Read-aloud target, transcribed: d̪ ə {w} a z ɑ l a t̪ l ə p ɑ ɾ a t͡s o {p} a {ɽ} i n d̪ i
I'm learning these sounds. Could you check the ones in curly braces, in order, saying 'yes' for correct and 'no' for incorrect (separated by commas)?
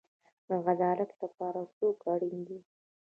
no, no, yes